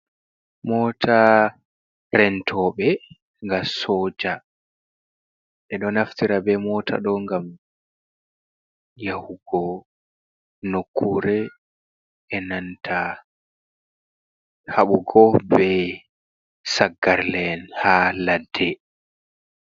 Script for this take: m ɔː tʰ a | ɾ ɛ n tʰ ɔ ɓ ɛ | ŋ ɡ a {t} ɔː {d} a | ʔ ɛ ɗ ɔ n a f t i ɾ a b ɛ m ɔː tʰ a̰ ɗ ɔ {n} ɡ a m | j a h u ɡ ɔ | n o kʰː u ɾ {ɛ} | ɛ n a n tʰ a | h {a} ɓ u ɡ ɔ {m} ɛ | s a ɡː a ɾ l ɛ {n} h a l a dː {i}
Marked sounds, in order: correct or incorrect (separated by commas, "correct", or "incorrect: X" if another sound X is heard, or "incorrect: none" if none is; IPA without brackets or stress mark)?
incorrect: s, incorrect: d͡ʒ, incorrect: ŋ, correct, correct, incorrect: b, correct, incorrect: ɛ